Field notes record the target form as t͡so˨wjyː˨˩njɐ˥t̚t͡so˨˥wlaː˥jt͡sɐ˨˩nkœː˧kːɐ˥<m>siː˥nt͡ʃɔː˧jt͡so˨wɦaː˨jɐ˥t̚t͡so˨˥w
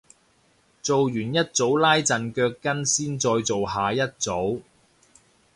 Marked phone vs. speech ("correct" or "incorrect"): incorrect